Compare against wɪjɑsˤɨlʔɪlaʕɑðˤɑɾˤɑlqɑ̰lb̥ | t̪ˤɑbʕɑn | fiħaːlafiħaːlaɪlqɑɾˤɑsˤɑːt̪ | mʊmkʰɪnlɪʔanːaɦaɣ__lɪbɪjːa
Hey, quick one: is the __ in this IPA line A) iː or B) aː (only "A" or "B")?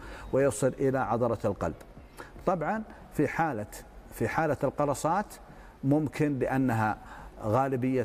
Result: B